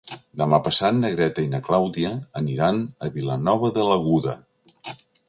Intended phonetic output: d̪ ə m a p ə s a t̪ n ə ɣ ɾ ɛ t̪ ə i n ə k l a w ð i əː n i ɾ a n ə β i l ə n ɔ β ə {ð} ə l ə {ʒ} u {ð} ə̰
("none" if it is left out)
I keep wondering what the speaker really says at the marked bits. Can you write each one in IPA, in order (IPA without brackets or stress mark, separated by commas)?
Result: ð, ɣ, ð